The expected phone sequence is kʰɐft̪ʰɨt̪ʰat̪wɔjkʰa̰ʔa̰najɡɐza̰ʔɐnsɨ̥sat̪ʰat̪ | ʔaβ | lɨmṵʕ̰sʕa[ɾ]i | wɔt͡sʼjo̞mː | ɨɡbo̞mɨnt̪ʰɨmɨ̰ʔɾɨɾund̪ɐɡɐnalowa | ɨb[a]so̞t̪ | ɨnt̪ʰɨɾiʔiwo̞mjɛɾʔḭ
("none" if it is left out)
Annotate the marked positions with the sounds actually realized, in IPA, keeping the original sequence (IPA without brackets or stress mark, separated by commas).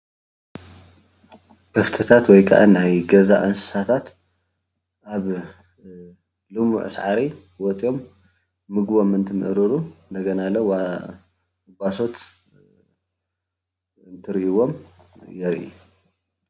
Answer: ɾ, a